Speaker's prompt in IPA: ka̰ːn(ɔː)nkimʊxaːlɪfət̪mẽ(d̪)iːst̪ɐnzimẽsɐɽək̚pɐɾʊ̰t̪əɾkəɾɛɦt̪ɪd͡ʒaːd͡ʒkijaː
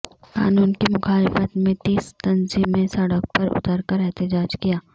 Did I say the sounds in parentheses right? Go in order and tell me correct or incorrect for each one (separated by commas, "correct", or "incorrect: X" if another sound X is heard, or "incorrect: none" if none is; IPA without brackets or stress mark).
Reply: incorrect: uː, incorrect: t̪